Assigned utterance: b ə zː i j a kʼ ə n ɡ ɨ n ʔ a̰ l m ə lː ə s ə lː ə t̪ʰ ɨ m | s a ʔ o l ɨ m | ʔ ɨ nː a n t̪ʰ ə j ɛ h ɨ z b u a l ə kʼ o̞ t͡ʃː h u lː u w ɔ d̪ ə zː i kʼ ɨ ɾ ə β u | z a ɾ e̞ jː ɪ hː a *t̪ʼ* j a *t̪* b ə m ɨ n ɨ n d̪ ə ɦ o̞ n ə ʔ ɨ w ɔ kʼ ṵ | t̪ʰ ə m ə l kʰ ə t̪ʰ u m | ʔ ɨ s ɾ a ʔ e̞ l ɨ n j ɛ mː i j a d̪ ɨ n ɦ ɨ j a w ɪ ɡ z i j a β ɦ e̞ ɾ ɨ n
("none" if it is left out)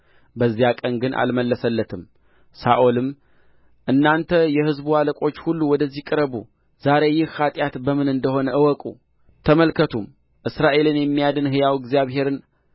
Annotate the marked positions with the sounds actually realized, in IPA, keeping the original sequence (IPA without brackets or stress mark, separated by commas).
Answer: t̪ʼ, t̪